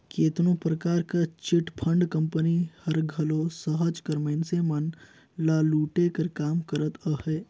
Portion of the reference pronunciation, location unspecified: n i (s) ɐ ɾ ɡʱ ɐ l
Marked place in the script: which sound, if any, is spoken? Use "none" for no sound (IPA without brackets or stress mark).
h